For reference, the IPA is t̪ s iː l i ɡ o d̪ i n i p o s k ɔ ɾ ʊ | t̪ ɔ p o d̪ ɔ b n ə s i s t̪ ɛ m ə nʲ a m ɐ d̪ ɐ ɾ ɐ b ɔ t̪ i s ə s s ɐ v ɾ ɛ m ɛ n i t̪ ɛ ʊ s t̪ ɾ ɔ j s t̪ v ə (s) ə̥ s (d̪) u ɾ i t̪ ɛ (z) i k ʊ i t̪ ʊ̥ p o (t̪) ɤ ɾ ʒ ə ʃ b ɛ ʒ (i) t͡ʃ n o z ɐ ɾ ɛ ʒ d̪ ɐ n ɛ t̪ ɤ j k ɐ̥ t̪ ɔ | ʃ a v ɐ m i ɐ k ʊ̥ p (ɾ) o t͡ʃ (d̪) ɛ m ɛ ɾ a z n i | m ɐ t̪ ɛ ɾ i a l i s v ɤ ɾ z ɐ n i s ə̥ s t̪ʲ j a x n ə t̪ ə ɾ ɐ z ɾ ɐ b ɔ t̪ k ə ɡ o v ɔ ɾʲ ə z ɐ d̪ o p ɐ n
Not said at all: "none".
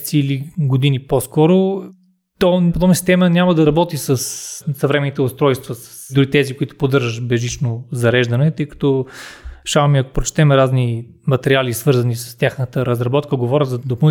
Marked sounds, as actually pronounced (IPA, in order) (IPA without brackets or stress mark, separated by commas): s, d̪, z, d̪, i, ɾ, t̪